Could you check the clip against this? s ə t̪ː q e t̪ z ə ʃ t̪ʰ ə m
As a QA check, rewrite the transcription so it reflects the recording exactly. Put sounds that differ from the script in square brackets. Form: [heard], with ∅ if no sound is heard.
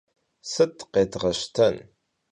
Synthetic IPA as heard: s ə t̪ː q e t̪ [ʁ] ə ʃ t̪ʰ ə [n]